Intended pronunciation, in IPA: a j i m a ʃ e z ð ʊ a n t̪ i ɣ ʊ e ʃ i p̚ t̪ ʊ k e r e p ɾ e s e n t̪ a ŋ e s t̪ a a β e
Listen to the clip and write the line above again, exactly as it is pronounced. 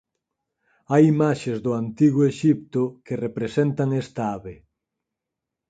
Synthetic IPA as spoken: a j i m a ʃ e z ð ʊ a n t̪ i ɣ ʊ e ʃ i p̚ t̪ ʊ k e r e p ɾ e s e n t̪ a ŋ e s t̪ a a β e